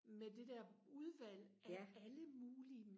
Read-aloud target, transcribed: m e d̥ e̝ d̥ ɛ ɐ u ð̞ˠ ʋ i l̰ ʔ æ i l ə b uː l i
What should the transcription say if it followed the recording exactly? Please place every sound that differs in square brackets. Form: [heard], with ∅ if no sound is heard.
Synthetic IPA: m e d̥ e̝ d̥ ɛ ɐ u ð̞ˠ ʋ [æ] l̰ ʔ æ [æ] l ə [m] uː l i